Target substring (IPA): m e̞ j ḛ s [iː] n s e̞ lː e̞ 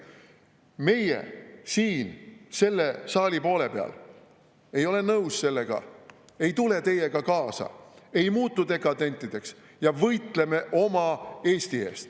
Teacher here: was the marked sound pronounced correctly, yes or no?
yes